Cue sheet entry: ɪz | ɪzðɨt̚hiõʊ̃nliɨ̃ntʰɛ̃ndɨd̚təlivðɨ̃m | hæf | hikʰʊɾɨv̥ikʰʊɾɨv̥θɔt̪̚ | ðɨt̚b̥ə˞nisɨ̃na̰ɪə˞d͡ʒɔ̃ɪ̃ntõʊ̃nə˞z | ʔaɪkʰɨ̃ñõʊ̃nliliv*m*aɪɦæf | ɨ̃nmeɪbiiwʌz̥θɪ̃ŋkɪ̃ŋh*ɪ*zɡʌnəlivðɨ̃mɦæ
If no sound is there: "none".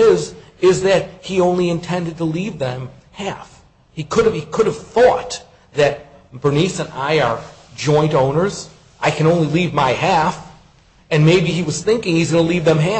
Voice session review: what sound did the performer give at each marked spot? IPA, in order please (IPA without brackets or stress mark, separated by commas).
m, i